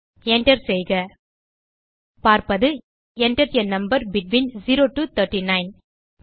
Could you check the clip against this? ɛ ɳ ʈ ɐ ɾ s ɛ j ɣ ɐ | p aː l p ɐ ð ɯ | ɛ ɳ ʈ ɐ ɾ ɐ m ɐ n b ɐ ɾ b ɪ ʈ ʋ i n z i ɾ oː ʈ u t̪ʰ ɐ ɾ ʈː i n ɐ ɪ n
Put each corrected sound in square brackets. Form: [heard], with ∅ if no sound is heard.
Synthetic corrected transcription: ɛ ɳ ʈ ɐ ɾ s ɛ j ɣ ɐ | p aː [ɾ] p ɐ ð ɯ | ɛ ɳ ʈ ɐ ɾ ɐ [n] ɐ [m] b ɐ ɾ b ɪ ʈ ʋ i n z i ɾ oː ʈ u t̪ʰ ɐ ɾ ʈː i n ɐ ɪ n